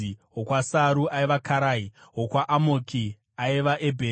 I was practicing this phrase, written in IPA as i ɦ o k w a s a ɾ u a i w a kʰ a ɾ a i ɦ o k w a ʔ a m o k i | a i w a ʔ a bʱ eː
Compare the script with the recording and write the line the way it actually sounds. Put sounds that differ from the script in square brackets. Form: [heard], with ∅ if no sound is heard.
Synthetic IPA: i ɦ o k w a s a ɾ u a i [ʋ] a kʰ a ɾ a i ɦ o k w a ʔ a m o k i | a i [ʋ] a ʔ [e] bʱ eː